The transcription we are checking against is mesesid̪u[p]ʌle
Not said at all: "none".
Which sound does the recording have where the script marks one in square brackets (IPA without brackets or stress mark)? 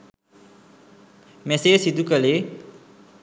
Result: k